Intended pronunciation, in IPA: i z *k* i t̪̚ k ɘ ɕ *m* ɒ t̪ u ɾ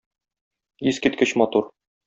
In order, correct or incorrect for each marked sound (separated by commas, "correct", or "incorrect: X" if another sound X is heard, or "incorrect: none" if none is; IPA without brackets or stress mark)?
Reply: correct, correct